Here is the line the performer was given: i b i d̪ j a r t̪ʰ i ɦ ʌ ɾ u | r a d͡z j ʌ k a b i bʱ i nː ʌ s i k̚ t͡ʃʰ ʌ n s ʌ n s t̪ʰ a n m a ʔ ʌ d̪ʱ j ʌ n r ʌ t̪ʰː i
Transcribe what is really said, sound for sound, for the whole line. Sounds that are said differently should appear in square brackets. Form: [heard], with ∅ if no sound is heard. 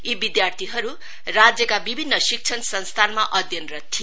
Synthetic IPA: i b i d̪ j a r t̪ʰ i ɦ ʌ ɾ u | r a d͡z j ʌ k a b i bʱ i nː ʌ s i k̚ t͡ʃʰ ʌ n s ʌ n s t̪ʰ a n m a ʔ ʌ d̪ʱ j ʌ n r ʌ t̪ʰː i